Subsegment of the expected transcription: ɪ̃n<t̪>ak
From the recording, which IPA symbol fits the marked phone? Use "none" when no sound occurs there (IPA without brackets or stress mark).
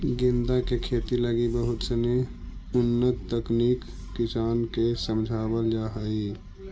d̪